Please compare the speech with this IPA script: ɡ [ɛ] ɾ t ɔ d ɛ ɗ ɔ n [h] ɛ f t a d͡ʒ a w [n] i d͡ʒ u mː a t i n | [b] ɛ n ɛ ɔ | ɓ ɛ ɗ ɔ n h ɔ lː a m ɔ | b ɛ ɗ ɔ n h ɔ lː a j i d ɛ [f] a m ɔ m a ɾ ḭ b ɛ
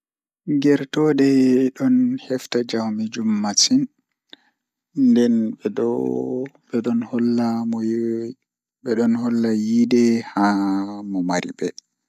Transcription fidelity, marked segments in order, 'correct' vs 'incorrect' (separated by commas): correct, correct, incorrect, incorrect, incorrect